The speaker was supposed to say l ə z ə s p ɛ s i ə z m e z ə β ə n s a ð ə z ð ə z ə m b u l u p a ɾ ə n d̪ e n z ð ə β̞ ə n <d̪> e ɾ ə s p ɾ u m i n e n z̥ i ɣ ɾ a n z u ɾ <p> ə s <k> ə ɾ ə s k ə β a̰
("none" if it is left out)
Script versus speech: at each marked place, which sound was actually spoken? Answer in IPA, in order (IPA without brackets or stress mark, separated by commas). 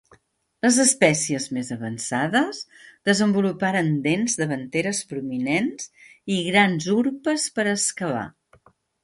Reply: t̪, p, p